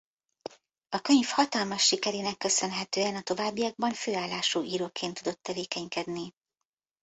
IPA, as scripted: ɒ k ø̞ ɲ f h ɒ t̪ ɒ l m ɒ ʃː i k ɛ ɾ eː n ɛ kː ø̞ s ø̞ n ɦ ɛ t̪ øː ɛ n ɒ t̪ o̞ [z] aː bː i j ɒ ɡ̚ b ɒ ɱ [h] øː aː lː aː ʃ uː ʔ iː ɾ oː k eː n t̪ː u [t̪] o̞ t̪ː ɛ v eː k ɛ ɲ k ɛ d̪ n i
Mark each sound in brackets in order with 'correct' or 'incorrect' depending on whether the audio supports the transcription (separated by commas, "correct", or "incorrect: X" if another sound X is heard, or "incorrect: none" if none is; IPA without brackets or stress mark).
incorrect: v, incorrect: f, incorrect: d̪